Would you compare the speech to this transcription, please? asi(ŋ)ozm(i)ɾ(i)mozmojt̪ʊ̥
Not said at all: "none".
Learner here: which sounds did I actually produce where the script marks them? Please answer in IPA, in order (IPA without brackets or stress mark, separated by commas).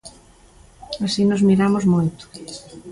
n, i, a